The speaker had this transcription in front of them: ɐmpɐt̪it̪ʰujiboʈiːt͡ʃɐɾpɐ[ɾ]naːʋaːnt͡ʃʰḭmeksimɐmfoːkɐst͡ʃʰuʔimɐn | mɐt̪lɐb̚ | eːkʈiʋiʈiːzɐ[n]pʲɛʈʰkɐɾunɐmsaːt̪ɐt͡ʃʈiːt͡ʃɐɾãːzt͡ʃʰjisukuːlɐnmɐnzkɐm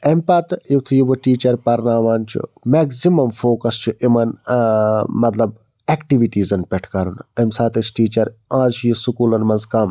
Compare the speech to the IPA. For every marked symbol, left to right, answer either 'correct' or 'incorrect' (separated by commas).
correct, correct